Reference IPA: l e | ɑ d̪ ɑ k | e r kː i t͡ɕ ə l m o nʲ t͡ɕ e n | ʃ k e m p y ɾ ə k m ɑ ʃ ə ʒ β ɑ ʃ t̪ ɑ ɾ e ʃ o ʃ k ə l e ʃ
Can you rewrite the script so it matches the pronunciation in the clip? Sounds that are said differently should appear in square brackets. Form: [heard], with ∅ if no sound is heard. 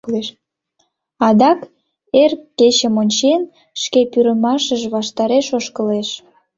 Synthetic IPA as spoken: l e | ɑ d̪ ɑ k | e r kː [e] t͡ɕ ə [∅] m o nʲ t͡ɕ e n | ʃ k e [∅] p y ɾ ə [∅] m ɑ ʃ ə ʒ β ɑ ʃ t̪ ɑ ɾ e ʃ o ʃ k ə l e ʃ